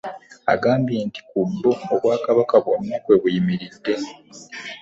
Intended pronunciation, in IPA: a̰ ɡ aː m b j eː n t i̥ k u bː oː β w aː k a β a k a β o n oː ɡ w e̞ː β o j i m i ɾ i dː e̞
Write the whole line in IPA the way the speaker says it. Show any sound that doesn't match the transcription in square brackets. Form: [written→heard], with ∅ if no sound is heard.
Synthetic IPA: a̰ ɡ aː m b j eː n t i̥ k u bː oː β w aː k a β a k a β o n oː [ɡ→k] w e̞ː β [o→u] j i m i ɾ i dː e̞